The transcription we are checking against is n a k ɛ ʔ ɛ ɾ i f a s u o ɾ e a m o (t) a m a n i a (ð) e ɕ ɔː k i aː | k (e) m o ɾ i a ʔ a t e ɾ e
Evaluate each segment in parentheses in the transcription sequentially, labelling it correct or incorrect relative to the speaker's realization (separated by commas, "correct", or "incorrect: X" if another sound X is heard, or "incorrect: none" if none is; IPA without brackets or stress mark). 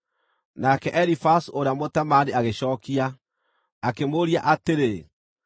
correct, incorrect: ɣ, correct